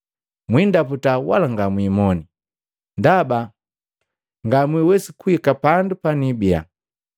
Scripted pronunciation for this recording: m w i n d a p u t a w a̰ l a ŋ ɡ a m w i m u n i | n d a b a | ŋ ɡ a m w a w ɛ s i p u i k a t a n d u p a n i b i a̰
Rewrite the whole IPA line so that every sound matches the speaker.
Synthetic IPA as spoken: m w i n d a p u t a w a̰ l a ŋ ɡ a m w i m ɔ n i | n d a b a | ŋ ɡ a m w i w ɛ s i k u i k a p a n d u p a n i b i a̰

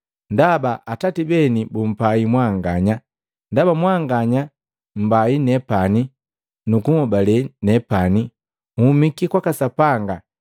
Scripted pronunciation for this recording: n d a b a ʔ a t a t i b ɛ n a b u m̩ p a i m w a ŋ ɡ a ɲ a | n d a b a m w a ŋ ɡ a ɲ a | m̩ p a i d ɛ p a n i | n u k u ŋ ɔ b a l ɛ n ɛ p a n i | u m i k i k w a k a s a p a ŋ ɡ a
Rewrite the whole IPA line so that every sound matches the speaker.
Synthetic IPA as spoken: n d a b a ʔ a t a t i b ɛ n i b u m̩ p a i m w a ŋ ɡ a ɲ a | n d a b a m w a ŋ ɡ a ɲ a | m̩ b a i n ɛ p a n i | n u k u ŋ ɔ b a l ɛ n ɛ p a n i | u m i k i k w a k a s a p a ŋ ɡ a

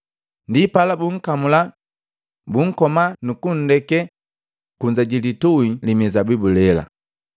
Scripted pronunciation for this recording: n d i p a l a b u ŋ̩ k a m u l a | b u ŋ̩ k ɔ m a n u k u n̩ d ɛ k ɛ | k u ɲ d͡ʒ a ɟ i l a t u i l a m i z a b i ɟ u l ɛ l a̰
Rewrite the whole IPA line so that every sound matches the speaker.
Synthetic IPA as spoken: n d i p a l a b u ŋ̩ k a m u l a | b u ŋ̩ k ɔ m a n u k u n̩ d ɛ k ɛ | k u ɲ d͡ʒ a ɟ i l i t u i l i m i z a b i b u l ɛ l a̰

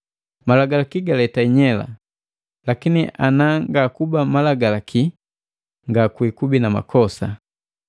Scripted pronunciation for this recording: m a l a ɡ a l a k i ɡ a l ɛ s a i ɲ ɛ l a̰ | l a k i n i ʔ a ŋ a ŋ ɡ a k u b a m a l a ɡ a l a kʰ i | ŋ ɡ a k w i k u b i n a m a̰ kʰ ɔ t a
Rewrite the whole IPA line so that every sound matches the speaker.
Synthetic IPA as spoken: m a l a ɡ a l a k i ɡ a l ɛ t a i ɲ ɛ l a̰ | l a k i n i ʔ a n a ŋ ɡ a k u b a m a l a ɡ a l a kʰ i | ŋ ɡ a k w i k u b i n a m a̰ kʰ ɔ s a

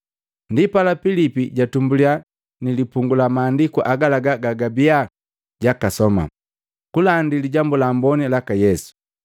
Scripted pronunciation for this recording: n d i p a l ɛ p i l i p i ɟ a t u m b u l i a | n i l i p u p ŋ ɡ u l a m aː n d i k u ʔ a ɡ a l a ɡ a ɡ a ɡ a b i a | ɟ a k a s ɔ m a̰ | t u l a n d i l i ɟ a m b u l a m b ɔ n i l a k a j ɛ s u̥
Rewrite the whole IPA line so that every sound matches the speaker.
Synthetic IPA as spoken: n d i p a l a p i l i p i ɟ a t u m b u l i a | n i l i p u ŋ ɡ u l a m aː n d i k u ʔ a ɡ a l a ɡ a ɡ a ɡ a b i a | ɟ a k a s ɔ m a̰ | k u l a n d i l i ɟ a m b u l a m b ɔ n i l a k a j ɛ s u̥

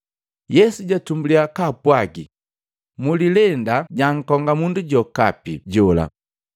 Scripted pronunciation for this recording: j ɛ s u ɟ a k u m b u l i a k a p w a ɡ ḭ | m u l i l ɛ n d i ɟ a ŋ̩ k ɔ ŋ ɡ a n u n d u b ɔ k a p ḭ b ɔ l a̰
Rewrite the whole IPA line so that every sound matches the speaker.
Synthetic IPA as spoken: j ɛ s u ɟ a t u m b u l i a k a p w a ɡ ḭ | m u l i l ɛ n d a ɟ a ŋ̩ k ɔ ŋ ɡ a m u n d u ɟ ɔ k a p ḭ ɟ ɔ l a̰

